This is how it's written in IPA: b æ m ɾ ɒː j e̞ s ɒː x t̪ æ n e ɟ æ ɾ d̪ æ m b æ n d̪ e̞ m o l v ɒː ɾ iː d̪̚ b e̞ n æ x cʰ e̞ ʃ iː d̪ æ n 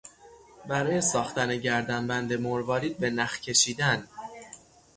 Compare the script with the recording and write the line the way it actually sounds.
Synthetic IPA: b æ ɾ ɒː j e̞ s ɒː x t̪ æ n e ɟ æ ɾ d̪ æ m b æ n d̪ e̞ m o ɾ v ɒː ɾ iː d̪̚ b e̞ n æ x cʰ e̞ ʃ iː d̪ æ n